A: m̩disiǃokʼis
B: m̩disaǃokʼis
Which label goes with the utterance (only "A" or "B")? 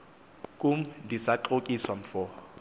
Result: B